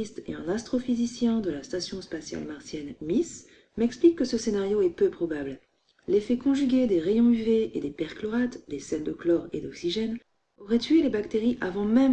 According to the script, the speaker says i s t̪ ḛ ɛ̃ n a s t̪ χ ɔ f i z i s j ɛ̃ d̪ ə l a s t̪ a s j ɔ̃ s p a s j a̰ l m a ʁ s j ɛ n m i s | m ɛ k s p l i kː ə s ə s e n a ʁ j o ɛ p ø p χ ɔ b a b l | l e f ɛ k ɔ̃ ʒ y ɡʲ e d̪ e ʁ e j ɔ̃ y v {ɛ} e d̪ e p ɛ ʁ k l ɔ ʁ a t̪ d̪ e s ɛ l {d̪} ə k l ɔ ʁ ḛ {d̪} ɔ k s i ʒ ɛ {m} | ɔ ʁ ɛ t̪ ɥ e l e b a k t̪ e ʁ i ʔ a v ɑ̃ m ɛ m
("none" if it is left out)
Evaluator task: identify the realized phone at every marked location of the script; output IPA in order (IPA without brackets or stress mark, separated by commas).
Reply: e, d̪, d̪, n